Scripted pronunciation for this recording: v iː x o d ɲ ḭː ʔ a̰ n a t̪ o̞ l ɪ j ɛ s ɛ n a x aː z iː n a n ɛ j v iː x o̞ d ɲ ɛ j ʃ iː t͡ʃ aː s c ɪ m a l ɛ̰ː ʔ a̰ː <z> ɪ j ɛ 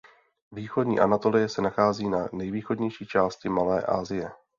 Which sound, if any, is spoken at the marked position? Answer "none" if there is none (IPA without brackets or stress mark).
z